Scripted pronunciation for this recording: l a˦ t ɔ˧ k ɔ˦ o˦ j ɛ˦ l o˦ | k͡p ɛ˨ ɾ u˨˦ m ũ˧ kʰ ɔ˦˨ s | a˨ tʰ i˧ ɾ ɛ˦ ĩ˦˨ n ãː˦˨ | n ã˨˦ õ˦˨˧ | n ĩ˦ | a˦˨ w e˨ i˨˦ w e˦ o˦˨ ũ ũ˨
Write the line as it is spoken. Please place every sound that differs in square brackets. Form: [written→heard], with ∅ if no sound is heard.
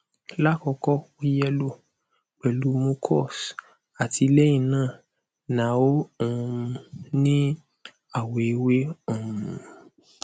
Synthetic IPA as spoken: l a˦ [t→k] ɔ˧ k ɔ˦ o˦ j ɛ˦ l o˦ | k͡p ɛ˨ [ɾ→l] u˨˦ m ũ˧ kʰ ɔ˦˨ s | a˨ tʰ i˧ [ɾ→l] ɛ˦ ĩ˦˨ n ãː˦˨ | n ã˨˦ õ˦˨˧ | n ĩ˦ | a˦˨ w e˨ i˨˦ w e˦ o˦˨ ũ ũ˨

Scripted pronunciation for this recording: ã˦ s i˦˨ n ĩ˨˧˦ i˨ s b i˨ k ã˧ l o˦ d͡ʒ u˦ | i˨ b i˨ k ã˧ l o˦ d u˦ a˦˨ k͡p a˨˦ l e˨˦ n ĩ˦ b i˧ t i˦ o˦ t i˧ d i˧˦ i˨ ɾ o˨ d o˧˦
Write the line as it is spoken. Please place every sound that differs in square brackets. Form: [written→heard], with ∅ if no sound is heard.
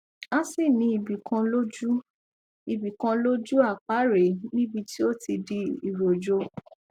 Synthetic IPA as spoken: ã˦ s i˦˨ n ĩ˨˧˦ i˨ [s→∅] b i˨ k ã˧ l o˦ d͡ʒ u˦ | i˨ b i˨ k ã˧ l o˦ [d→d͡ʒ] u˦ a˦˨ k͡p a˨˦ [l→ɾ] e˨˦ n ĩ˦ b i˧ t i˦ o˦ t i˧ d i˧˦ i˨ ɾ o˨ [d→d͡ʒ] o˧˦

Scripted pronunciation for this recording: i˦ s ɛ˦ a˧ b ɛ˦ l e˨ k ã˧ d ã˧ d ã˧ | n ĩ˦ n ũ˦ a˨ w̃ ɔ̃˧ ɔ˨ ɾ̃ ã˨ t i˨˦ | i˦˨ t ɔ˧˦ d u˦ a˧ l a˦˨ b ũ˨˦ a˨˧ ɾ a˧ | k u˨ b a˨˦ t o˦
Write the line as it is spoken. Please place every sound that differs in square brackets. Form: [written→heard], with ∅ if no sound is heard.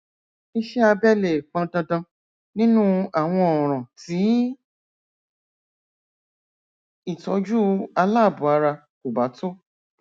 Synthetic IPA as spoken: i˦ [s→ʃ] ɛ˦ a˧ b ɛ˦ l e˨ [k→k͡p] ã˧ d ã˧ d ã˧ | n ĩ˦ n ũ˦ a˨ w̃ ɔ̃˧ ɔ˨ ɾ̃ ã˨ t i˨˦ | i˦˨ t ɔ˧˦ [d→d͡ʒ] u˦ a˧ l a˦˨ b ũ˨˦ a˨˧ ɾ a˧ | k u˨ b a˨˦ t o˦

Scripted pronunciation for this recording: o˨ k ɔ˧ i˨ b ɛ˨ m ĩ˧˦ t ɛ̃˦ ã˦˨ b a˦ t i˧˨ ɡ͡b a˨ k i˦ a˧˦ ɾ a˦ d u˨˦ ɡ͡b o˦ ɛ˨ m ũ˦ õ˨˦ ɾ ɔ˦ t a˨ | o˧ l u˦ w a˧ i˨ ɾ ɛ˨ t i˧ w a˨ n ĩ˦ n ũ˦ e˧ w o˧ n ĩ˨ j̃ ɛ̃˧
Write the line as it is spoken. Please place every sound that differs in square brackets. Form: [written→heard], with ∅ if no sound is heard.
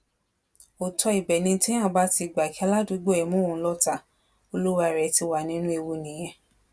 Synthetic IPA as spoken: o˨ [k→t] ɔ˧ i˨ b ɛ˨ [m→n] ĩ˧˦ t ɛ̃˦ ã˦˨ b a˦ t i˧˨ ɡ͡b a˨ k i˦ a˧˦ [ɾ→l] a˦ d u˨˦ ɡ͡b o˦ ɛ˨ m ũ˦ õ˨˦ [ɾ→l] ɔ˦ t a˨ | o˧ l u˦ w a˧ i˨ ɾ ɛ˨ t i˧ w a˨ n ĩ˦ n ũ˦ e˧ w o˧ n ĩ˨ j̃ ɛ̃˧

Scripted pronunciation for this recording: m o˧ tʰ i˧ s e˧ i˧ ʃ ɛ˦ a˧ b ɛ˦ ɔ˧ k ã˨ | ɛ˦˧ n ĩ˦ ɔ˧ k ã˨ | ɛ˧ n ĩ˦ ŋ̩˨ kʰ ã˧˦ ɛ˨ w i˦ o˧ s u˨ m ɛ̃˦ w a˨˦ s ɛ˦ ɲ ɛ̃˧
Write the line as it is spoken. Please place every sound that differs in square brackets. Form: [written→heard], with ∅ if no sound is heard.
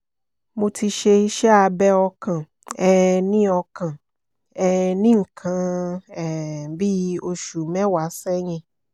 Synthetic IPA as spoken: m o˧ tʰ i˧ [s→ʃ] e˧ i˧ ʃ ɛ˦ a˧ b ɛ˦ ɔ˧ k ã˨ | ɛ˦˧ n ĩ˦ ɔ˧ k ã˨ | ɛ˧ n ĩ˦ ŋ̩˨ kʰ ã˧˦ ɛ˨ [w→b] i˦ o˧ [s→ʃ] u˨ m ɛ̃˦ w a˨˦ s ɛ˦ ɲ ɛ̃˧

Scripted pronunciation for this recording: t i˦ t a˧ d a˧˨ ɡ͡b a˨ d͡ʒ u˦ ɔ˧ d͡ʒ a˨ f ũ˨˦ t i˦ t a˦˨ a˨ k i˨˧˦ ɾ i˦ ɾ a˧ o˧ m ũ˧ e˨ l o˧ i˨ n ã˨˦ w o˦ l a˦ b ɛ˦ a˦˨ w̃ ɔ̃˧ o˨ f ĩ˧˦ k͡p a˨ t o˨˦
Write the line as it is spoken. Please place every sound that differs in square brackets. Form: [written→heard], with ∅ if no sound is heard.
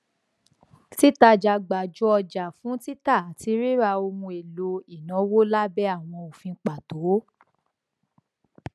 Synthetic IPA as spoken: t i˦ t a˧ [d→d͡ʒ] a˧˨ ɡ͡b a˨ d͡ʒ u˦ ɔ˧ d͡ʒ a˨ f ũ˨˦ t i˦ t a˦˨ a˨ [k→t] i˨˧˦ ɾ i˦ ɾ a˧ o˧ m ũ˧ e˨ l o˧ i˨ n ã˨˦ w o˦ l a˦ b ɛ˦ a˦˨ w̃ ɔ̃˧ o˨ f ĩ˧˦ k͡p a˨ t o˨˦

